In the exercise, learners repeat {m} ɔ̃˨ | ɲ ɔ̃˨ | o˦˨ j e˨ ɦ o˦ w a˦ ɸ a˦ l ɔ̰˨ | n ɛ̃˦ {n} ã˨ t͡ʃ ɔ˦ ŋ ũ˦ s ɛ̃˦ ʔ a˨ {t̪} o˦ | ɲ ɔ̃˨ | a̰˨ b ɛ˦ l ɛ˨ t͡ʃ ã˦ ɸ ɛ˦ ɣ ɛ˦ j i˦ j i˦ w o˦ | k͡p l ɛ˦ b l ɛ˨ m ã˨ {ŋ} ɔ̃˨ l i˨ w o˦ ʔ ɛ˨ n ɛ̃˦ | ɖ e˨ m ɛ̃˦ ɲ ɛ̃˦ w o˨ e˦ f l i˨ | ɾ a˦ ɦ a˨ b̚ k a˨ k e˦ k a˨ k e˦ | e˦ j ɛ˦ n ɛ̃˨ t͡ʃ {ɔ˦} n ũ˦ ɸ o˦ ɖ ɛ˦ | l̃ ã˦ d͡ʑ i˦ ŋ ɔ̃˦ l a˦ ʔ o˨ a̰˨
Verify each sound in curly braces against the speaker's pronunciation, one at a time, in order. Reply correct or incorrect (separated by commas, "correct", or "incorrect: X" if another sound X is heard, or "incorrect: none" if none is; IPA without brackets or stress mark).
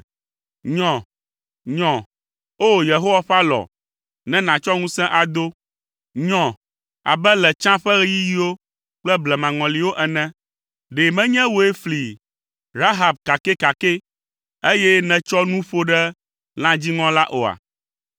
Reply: incorrect: ɲ, correct, incorrect: d̪, correct, correct